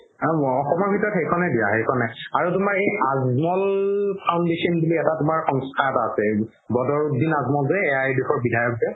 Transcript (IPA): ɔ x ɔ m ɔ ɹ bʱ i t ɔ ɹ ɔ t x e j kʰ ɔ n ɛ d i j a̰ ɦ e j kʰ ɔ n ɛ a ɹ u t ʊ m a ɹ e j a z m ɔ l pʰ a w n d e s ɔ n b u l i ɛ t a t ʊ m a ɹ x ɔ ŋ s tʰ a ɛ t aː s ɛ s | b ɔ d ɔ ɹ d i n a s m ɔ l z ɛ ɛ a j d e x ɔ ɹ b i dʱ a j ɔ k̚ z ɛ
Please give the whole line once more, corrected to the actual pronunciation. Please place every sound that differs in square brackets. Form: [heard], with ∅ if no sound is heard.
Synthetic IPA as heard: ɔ x ɔ m ɔ ɹ bʱ i t ɔ ɹ ɔ t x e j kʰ ɔ n ɛ d i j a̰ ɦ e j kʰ ɔ n ɛ a ɹ u t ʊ m a ɹ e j a z m ɔ l pʰ a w n d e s ɔ n b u l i ɛ t a t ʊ m a ɹ x ɔ ŋ s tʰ a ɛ t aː s ɛ [∅] | b ɔ d ɔ ɹ d i n a [z] m ɔ l z ɛ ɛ a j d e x ɔ ɹ b i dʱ a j ɔ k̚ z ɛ

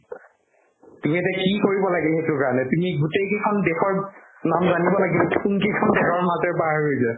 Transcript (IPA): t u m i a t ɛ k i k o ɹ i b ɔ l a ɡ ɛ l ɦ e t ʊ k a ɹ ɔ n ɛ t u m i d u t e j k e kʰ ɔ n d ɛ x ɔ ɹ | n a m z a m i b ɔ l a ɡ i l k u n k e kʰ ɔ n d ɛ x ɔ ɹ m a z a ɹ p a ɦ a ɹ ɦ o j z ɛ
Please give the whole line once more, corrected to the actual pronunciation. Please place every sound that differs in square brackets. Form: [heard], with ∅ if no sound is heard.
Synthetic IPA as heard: t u m i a t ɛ k i k o ɹ i b ɔ l a ɡ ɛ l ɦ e t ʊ k a ɹ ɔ n ɛ t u m i [ɡ] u t e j k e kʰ ɔ n d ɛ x ɔ ɹ | n a m z a [n] i b ɔ l a ɡ i l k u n k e kʰ ɔ n d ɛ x ɔ ɹ m a z [ɛ] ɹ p a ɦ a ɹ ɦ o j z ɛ

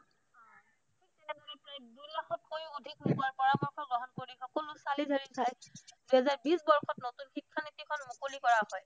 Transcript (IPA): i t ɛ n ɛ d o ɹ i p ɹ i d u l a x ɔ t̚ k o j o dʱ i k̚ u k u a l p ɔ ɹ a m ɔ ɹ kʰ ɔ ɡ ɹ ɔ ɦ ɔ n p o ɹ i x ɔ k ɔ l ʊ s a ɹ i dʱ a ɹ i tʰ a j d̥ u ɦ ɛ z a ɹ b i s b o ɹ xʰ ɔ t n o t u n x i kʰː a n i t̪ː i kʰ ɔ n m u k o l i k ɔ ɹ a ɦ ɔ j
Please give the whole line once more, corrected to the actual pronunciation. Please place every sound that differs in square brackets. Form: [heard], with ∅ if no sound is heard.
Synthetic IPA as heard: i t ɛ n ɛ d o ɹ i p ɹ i d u l a x ɔ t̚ k o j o dʱ i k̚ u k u a [ɹ] p ɔ ɹ a m ɔ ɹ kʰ ɔ ɡ ɹ ɔ ɦ ɔ n [k] o ɹ i x ɔ k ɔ l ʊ s a [l] i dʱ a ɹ i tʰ a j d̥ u ɦ ɛ z a ɹ b i s b [ɔ] ɹ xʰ ɔ t n o t u n x i kʰː a n i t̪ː i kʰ ɔ n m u k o l i k ɔ ɹ a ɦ ɔ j

